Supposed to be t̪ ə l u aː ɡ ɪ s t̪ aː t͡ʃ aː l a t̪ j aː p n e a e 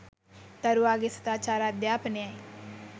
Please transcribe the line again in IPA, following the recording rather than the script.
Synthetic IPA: t̪ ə ɾ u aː ɡ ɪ s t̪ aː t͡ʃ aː ɾ a d̪ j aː p n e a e

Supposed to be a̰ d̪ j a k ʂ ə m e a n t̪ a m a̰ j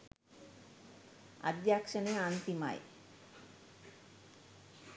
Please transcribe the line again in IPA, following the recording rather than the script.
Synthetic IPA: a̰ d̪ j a k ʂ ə n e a n t̪ i m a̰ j

